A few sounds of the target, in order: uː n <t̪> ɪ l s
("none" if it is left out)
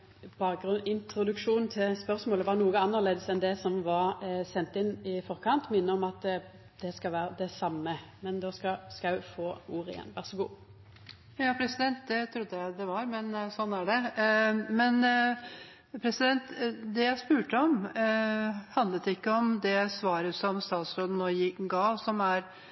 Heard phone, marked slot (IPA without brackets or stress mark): t̪ʰ